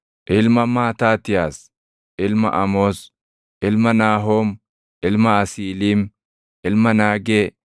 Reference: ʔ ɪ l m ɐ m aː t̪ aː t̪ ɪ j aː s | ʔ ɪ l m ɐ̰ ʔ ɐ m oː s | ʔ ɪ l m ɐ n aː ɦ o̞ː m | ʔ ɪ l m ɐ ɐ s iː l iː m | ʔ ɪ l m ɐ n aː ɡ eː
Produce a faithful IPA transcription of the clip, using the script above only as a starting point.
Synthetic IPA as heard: ʔ ɪ l m ɐ m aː t̪ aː t̪ ɪ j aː s | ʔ ɪ l m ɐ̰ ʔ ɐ m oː s | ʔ ɪ l m ɐ n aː ɦ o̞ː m | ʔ ɪ l m ɐ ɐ s iː l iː m | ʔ ɪ l m ɐ n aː ɡ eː